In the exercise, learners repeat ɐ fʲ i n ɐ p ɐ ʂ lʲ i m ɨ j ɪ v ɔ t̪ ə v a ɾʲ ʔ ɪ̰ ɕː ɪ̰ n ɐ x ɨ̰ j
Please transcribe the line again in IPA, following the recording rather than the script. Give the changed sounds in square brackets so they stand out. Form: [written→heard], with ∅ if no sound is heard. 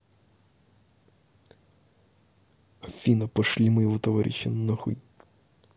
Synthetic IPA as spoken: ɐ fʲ i n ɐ p ɐ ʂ lʲ i m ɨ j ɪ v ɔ t̪ [ə→ɐ] v a ɾʲ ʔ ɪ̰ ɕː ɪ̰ n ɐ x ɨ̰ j

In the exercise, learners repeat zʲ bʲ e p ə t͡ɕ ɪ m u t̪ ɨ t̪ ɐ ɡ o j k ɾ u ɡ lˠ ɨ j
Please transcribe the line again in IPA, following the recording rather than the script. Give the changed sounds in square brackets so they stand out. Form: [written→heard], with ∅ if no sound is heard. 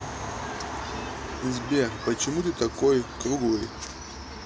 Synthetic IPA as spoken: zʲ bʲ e p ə t͡ɕ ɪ m u t̪ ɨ t̪ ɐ [ɡ→k] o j k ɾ u ɡ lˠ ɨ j

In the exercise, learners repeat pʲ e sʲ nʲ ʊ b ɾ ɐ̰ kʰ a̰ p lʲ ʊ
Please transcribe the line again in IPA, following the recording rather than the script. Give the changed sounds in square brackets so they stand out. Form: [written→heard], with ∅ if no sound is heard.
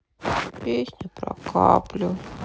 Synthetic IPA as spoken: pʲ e sʲ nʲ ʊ [b→p] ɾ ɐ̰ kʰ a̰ p lʲ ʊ

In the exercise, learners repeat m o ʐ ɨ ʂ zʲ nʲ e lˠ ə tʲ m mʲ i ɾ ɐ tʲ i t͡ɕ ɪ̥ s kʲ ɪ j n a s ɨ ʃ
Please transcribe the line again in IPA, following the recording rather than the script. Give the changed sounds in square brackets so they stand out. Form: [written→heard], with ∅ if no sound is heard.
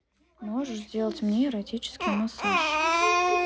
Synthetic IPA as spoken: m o ʐ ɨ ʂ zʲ [nʲ→dʲ] e lˠ ə tʲ m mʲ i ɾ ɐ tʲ i t͡ɕ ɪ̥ s kʲ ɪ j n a s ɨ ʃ

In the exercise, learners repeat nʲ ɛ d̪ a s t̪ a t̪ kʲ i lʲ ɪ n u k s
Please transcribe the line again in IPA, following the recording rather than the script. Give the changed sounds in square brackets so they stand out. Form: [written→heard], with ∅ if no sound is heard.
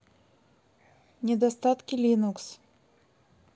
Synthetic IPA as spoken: nʲ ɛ d̪ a s t̪ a t̪ kʲ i lʲ [ɪ→i] n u k s

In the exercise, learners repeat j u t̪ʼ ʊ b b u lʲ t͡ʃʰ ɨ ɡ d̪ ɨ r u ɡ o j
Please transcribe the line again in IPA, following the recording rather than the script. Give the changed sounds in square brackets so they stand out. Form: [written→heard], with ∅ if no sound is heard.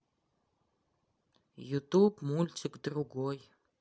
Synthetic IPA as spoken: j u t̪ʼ [ʊ→u] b [b→m] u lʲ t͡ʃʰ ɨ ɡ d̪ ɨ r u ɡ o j

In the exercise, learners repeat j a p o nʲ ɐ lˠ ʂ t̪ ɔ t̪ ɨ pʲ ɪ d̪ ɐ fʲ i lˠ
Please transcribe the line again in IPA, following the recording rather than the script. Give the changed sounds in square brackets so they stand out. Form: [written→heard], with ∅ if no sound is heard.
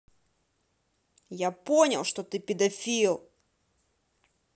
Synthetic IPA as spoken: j a p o nʲ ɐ lˠ ʂ t̪ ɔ t̪ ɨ pʲ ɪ d̪ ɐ fʲ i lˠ

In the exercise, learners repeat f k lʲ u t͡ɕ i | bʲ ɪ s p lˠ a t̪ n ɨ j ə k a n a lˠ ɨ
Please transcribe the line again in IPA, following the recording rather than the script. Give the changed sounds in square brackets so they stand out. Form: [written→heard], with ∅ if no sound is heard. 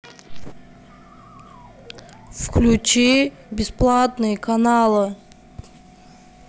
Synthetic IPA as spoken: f k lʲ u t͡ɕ i | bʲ ɪ s p lˠ a t̪ n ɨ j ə k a n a lˠ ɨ

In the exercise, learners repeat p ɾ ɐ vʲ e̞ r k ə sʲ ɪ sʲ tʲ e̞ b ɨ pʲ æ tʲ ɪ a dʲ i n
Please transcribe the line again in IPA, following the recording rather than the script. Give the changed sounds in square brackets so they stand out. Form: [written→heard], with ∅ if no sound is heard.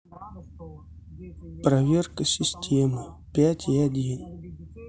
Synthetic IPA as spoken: p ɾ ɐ vʲ e̞ r k ə sʲ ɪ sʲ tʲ e̞ [b→m] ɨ pʲ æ tʲ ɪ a dʲ i n

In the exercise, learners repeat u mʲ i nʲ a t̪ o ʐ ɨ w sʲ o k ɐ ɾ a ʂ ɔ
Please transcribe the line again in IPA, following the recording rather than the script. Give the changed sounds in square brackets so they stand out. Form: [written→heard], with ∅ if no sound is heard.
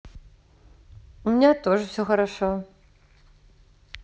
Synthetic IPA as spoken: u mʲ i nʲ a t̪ o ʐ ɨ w sʲ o [k→x] ɐ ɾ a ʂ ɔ

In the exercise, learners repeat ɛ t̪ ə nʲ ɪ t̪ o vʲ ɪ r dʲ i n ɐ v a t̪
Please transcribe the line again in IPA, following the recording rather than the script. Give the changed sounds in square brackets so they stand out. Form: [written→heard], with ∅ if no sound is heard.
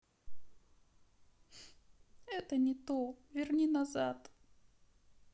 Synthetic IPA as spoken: ɛ t̪ ə nʲ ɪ t̪ o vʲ ɪ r [dʲ→nʲ] i n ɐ [v→z] a t̪

